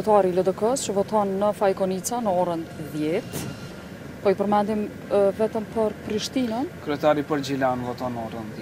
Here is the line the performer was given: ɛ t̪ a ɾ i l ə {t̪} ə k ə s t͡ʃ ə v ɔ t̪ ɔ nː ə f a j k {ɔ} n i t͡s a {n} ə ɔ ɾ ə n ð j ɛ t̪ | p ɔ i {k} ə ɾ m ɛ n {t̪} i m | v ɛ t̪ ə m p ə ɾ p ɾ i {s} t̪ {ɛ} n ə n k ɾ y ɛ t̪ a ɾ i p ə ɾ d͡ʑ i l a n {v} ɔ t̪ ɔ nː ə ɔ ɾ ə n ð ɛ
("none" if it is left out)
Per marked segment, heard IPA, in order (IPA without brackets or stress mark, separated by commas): d̪, ɔ, n, p, d̪, ʃ, i, v